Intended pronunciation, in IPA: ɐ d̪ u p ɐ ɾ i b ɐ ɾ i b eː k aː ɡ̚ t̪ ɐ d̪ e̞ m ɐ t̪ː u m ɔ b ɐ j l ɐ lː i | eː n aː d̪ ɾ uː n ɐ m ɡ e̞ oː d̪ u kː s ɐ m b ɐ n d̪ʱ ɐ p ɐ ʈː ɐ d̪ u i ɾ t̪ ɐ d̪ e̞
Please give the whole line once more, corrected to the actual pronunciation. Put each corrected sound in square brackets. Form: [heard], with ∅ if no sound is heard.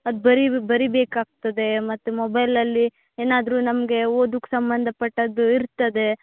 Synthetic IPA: ɐ d̪ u [b] ɐ ɾ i b ɐ ɾ i b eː k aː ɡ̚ t̪ ɐ d̪ e̞ m ɐ t̪ː u m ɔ b ɐ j l ɐ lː i | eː n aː d̪ ɾ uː n ɐ m ɡ e̞ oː d̪ u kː s ɐ m b ɐ n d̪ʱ ɐ p ɐ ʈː ɐ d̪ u i ɾ t̪ ɐ d̪ e̞

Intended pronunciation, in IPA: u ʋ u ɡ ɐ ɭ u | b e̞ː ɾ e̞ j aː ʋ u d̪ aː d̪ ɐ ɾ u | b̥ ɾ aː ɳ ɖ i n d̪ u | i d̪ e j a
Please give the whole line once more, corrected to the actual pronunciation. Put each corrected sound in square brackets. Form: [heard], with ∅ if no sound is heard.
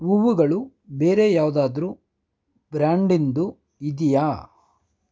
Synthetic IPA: u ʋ u ɡ ɐ ɭ u | b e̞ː ɾ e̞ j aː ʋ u d̪ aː d̪ ɐ ɾ u | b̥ ɾ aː ɳ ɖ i n d̪ u | i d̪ [i] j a

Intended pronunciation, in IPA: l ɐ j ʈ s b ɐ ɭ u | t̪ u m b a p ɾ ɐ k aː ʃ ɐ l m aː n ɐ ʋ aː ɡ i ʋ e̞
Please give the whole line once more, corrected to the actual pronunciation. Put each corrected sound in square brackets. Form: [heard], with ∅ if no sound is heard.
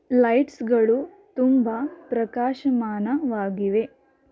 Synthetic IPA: l ɐ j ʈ s [ɡ] ɐ ɭ u | t̪ u m b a p ɾ ɐ k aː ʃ ɐ [∅] m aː n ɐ ʋ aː ɡ i ʋ e̞

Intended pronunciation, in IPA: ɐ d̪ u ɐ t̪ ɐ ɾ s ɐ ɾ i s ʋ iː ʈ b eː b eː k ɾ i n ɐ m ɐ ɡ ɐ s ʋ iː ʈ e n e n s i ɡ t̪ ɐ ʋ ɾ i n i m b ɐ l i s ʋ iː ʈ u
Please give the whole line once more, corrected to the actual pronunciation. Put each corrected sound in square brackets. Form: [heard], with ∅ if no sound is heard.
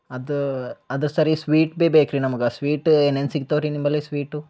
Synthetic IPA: ɐ d̪ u ɐ [d̪] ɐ ɾ s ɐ ɾ i s ʋ iː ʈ b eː b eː k ɾ i n ɐ m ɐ ɡ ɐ s ʋ iː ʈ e n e n s i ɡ t̪ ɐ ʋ ɾ i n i m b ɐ l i s ʋ iː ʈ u

